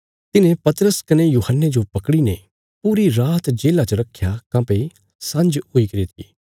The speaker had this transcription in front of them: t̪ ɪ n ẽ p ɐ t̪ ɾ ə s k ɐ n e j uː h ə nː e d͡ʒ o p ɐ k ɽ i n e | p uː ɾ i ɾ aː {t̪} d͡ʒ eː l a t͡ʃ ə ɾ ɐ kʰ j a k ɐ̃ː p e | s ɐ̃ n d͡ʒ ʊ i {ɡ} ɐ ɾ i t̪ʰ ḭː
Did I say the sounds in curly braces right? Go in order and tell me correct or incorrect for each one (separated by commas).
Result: correct, incorrect